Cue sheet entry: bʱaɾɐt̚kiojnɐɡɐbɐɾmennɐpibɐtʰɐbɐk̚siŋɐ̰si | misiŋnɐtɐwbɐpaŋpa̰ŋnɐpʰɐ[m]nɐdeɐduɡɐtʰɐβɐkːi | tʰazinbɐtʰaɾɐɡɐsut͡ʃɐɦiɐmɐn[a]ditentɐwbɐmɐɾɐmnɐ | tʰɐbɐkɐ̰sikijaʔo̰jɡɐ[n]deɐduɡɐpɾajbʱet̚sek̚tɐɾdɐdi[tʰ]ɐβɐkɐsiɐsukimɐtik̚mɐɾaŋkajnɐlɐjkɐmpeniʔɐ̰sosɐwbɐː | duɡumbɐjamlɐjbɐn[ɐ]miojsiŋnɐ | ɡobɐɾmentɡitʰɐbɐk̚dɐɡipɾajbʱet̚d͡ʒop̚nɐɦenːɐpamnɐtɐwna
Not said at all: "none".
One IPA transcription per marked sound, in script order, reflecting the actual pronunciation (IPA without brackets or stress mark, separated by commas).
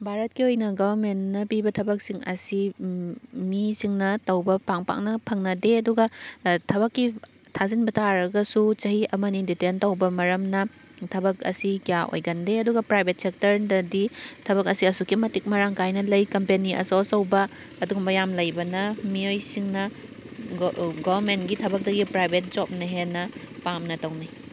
ŋ, i, n, tʰ, ɐ